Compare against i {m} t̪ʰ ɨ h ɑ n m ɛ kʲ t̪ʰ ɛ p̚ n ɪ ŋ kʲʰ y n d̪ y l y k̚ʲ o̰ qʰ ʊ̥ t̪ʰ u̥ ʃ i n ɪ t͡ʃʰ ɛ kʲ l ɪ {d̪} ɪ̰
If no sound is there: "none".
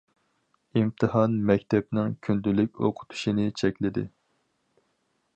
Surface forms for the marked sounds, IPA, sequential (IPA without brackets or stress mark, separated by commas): m, d̪